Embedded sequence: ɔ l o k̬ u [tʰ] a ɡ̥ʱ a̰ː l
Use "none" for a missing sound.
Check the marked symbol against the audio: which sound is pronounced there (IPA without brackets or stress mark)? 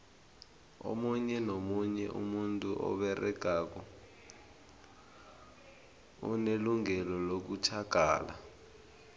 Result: tʰ